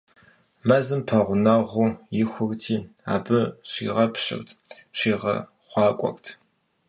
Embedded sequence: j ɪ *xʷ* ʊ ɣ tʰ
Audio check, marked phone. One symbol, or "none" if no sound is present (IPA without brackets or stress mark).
xʷ